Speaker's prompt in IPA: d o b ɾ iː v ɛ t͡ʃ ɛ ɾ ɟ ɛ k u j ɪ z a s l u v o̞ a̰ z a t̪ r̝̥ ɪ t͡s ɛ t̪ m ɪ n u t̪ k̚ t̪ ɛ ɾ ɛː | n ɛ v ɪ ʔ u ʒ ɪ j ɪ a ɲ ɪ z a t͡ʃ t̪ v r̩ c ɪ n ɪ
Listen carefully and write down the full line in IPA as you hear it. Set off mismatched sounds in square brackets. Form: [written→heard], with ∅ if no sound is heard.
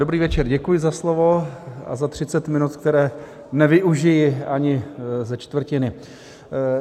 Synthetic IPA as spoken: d o b ɾ iː v ɛ t͡ʃ ɛ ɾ ɟ ɛ k u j ɪ z a s l [u→o] v o̞ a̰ z a t̪ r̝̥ ɪ t͡s ɛ t̪ m ɪ n u t̪ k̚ t̪ ɛ ɾ ɛː | n ɛ v ɪ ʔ u ʒ ɪ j ɪ a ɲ ɪ z [a→ɛ] t͡ʃ t̪ v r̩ c ɪ n ɪ